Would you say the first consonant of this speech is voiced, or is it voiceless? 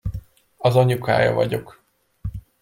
voiced